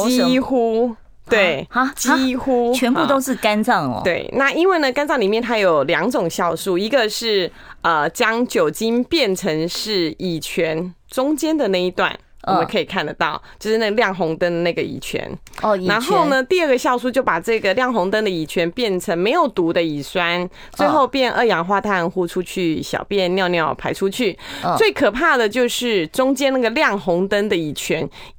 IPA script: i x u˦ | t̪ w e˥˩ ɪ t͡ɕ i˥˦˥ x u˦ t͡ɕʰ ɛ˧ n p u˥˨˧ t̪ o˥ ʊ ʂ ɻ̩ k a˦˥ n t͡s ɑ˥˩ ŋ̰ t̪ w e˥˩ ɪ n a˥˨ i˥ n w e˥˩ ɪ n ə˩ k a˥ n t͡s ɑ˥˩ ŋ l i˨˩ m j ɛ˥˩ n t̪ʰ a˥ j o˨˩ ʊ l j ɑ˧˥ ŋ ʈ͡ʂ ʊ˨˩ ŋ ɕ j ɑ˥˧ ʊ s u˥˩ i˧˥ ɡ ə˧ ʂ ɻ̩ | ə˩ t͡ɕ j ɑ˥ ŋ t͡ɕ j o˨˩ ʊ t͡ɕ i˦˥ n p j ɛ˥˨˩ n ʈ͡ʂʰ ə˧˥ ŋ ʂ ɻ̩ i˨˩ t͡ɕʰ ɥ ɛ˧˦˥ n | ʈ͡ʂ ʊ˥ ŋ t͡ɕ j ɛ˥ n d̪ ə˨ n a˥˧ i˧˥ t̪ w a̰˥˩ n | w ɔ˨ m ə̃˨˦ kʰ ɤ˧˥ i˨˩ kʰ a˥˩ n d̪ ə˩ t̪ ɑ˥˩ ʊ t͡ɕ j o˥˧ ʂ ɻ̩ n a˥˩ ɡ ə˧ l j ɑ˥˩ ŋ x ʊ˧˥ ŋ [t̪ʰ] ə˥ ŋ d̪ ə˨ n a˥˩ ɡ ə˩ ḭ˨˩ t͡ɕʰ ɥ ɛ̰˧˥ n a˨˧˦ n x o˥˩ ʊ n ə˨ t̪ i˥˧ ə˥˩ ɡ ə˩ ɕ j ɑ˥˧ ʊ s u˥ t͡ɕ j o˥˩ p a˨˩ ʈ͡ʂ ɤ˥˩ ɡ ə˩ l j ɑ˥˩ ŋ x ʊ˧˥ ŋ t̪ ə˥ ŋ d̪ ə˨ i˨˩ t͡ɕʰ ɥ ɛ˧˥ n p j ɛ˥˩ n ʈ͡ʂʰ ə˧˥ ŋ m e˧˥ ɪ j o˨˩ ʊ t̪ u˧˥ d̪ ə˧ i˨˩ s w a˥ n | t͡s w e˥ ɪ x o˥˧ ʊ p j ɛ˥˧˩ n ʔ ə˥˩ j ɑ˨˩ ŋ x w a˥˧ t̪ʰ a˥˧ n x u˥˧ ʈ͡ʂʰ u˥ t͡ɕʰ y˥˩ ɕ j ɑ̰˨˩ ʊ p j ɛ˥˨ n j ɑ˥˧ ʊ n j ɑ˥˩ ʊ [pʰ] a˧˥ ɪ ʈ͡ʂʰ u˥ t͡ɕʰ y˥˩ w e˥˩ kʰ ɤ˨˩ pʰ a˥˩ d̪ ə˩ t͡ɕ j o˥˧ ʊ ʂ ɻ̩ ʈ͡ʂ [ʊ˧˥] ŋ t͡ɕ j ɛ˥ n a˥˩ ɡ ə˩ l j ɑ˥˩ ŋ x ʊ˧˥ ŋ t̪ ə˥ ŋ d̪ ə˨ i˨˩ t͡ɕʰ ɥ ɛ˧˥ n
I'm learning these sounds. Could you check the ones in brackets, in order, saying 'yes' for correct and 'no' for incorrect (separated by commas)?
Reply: no, yes, no